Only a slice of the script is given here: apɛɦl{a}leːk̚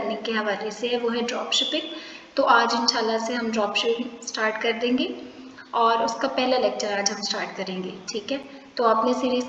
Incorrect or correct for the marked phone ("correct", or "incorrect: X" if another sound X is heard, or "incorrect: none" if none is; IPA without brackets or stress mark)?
correct